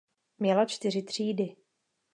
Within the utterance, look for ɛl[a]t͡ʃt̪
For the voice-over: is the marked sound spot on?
yes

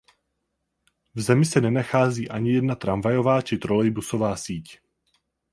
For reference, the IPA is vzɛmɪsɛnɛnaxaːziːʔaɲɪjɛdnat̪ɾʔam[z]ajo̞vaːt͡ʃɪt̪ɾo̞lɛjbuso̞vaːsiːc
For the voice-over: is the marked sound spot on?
no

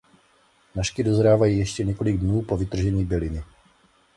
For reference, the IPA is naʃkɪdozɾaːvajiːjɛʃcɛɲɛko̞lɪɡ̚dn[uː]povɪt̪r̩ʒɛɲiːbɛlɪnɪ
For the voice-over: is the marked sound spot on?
yes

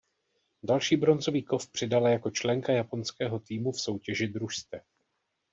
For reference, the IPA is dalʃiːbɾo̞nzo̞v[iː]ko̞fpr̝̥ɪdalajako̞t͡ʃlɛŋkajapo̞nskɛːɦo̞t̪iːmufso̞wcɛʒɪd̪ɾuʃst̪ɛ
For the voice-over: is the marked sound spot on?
yes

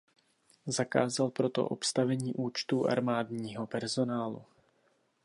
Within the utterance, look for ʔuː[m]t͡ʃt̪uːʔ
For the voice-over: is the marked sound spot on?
no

